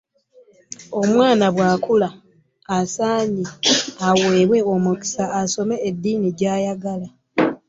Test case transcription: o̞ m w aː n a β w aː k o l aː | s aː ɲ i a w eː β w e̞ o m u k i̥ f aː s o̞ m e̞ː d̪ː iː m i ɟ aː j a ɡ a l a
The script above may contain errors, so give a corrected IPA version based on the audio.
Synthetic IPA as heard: o̞ m w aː n a β w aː k u l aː | s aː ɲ i a w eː β w e̞ o m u k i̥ s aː s o̞ m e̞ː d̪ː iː n i ɟ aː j a ɡ a l a